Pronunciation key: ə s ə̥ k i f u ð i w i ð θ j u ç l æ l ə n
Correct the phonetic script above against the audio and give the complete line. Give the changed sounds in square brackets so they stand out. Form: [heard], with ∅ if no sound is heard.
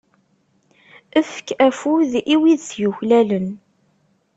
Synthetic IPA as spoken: ə [f] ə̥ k [æ] f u ð i w i ð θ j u ç l æ l ə n